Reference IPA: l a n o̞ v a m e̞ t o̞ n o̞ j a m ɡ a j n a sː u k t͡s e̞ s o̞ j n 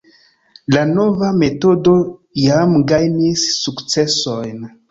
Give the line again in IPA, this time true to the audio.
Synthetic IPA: l a n o̞ v a m e̞ t o̞ d o̞ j a m ɡ a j n i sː u k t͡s e̞ s o̞ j n